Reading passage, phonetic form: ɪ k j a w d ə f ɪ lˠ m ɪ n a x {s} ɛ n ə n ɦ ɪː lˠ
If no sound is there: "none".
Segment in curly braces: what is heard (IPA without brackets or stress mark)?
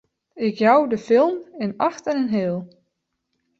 t